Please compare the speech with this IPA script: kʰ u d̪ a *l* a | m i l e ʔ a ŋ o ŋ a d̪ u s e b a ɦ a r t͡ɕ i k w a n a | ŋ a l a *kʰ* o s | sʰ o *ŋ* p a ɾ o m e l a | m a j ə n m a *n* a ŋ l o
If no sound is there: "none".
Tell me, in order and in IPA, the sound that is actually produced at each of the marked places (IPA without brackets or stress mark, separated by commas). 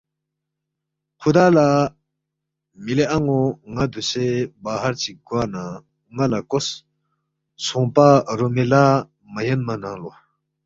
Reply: l, k, ŋ, n